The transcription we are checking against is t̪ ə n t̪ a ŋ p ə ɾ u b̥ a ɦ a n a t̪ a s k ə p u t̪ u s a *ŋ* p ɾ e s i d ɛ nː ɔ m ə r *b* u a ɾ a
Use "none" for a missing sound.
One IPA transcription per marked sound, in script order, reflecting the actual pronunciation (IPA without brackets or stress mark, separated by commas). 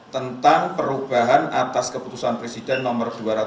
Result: n, d